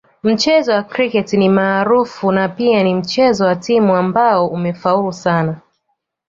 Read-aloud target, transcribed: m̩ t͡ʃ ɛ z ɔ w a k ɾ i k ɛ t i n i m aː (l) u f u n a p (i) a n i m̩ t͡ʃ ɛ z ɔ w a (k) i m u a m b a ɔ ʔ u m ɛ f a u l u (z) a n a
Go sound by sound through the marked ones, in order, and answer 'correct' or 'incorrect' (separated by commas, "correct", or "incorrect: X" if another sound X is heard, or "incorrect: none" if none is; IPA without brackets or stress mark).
incorrect: ɾ, correct, incorrect: t, incorrect: s